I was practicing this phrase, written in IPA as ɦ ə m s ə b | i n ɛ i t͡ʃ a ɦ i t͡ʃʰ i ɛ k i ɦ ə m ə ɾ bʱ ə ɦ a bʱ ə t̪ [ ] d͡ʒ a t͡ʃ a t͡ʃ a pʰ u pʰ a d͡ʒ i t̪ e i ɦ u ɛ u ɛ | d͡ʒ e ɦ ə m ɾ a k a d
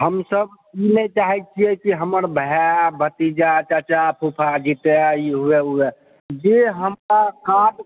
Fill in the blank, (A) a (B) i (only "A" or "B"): B